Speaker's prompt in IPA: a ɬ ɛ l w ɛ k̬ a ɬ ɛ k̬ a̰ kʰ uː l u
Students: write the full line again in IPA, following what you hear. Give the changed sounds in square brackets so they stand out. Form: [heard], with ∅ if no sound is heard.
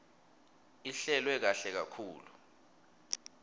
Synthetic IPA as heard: [i] ɬ ɛ l w ɛ k̬ a ɬ ɛ k̬ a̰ kʰ uː l u